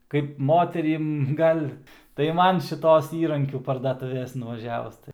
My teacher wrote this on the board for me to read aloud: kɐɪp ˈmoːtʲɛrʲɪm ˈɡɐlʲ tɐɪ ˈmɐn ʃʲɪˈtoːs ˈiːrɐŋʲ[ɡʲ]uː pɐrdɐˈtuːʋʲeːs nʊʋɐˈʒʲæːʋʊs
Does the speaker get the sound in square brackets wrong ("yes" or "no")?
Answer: yes